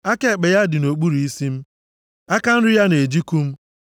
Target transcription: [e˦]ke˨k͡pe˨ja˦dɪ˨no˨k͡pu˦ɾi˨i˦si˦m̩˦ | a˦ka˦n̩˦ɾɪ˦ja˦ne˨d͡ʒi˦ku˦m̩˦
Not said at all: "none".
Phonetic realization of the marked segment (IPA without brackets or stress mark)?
a˦